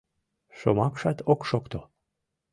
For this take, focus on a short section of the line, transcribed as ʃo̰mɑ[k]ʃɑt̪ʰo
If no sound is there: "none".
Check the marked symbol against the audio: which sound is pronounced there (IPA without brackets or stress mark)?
k